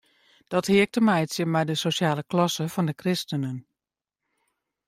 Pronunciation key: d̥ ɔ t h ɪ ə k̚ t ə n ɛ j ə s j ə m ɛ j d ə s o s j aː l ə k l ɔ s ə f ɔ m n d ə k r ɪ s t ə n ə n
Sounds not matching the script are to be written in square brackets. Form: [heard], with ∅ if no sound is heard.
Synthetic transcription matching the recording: d̥ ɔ t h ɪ ə k̚ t ə [m] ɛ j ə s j ə m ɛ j d ə s o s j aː l ə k l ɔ s ə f ɔ [∅] n d ə k r ɪ s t ə n ə n

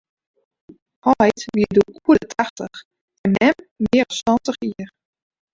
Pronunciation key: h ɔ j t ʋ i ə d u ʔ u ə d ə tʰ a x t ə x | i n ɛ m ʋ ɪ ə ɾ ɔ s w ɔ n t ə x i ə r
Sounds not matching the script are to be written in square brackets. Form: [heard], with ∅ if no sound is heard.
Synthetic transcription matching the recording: h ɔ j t ʋ i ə d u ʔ u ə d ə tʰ a x t ə x | [ɛ] n ɛ m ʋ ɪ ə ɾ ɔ s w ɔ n t ə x i ə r

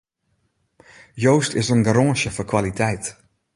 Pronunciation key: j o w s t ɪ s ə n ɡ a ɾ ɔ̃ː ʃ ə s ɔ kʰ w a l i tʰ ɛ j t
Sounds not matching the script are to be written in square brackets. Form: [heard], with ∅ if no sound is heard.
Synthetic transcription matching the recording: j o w s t ɪ s ə n ɡ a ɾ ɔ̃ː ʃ ə [f] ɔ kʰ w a l i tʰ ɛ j t

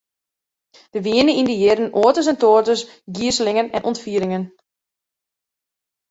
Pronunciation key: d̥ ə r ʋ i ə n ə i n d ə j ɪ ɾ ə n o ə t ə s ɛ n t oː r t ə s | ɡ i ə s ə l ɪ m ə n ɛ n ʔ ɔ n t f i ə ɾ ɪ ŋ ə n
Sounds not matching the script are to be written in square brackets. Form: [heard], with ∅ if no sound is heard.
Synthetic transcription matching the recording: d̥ ə [∅] ʋ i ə n ə i n d ə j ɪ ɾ ə n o ə t ə s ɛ n t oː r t ə s | ɡ i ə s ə l ɪ [ŋ] ə n ɛ n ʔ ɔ n t f i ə ɾ ɪ ŋ ə n

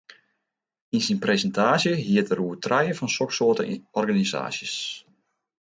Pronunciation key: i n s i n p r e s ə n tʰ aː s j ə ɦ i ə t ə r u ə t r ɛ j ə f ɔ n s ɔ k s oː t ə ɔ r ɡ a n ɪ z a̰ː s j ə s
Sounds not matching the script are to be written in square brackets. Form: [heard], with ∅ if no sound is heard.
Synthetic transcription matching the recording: i n s i n p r e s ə n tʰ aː s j ə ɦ i ə t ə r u ə t r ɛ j ə f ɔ n s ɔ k s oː t ə ɔ r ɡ a n [i] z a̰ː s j ə s

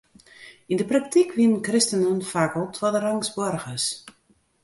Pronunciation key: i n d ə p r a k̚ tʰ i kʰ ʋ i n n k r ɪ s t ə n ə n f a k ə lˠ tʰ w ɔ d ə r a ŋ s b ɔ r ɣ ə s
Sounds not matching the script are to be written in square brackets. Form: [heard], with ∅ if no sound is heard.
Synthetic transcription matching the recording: i n d ə p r a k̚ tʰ i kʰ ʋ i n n k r ɪ s t ə n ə n f a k ə lˠ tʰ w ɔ d ə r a ŋ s b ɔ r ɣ ə s

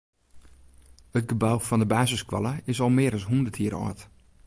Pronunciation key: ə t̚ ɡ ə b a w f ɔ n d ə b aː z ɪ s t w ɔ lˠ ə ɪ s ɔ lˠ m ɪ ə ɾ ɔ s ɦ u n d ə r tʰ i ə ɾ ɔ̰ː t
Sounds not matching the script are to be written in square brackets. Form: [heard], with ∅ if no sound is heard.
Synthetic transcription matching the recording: ə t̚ ɡ ə b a w f ɔ n d ə b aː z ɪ s [k] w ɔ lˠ ə ɪ s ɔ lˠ m ɪ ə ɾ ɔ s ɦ u n d ə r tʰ i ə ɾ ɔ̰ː t

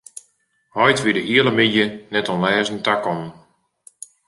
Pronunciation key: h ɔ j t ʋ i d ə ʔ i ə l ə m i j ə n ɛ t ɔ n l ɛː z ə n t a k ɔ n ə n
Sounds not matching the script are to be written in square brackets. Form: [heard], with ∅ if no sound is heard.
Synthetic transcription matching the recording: h ɔ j t ʋ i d ə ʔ i ə l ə m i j ə n ɛ t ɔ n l ɛː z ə n t a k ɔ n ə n

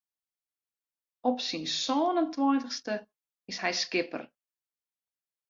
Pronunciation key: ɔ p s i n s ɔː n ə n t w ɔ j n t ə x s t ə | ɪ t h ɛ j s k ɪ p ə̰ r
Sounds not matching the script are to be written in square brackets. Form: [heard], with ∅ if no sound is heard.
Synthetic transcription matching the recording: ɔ p s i n s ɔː n ə n t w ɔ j n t ə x s t ə | ɪ [s] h ɛ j s k ɪ p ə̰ r

